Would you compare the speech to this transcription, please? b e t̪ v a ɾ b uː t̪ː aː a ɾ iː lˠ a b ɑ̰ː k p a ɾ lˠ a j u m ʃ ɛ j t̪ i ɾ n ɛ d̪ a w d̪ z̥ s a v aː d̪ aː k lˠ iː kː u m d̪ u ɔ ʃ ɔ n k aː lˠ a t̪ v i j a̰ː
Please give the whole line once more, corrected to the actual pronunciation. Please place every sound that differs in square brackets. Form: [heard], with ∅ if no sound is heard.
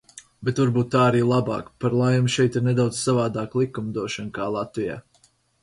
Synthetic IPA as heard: b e t̪ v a ɾ b uː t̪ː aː a ɾ iː lˠ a b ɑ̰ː k p a ɾ lˠ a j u m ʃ ɛ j t̪ i ɾ n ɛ d̪ a w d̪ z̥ s a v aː d̪ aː k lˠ [i] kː u m d̪ u ɔ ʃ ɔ n k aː lˠ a t̪ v i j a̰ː